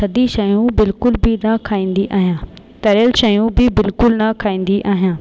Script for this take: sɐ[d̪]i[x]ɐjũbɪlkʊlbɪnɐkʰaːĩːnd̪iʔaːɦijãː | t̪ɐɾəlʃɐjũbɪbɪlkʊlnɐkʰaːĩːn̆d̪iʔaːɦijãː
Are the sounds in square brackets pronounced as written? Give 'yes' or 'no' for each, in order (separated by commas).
yes, no